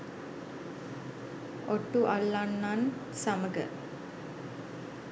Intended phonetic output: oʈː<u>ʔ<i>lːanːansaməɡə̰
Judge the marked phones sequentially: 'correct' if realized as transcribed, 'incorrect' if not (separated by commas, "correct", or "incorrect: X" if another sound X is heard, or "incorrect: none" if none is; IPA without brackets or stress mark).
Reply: correct, incorrect: a